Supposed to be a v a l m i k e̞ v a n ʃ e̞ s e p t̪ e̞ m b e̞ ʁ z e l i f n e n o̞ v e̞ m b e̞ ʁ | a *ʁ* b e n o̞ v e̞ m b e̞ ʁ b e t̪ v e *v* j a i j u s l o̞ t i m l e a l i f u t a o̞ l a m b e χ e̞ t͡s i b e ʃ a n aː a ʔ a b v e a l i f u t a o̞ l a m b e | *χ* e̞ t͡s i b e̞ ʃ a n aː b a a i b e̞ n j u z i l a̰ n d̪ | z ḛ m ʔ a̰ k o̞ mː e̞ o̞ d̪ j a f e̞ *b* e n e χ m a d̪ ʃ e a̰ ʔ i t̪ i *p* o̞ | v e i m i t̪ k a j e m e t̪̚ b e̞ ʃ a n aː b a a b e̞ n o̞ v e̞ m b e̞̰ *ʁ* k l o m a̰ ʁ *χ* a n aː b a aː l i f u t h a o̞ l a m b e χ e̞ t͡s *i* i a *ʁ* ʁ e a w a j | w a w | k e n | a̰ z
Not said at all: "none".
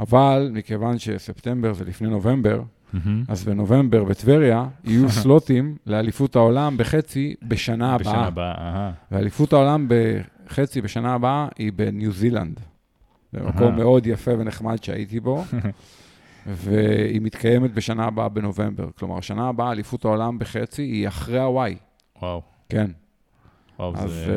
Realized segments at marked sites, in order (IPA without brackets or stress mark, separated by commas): z, ʁ, χ, v, b, ʁ, ʃ, i, χ